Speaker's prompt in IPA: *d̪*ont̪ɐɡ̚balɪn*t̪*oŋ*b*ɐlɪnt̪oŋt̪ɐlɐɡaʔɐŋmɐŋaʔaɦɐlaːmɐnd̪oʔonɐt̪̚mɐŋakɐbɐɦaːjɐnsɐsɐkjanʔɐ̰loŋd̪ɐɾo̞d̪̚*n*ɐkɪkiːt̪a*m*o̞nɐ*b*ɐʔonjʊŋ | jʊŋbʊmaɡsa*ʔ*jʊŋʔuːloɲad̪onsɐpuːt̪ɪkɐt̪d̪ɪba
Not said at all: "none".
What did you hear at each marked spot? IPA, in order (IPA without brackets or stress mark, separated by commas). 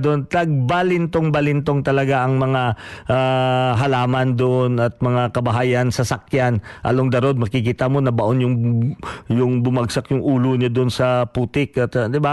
d̪, t̪, b, m, m, b, k